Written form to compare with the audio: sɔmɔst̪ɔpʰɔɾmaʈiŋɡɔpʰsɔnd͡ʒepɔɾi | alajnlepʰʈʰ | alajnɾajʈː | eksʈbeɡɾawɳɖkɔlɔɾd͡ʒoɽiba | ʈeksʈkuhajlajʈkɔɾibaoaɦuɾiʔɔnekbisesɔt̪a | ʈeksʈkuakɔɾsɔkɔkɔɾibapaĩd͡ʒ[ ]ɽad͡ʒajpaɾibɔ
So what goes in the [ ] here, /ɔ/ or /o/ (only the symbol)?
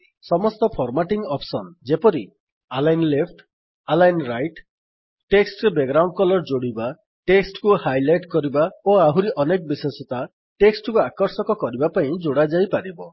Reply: o